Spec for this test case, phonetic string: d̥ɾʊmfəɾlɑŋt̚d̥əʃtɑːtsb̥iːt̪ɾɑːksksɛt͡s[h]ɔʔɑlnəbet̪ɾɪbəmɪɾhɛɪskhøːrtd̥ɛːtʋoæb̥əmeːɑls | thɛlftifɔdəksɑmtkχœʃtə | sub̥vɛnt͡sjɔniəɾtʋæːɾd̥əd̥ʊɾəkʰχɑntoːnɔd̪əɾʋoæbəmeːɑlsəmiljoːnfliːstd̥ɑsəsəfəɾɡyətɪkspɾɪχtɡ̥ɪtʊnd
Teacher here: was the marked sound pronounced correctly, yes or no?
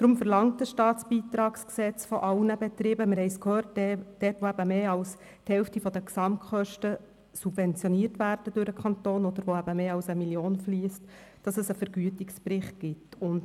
no